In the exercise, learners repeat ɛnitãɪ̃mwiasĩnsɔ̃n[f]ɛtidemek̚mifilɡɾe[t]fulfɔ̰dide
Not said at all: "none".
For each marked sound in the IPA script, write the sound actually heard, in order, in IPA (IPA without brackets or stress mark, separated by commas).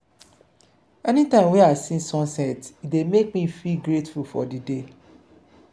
s, t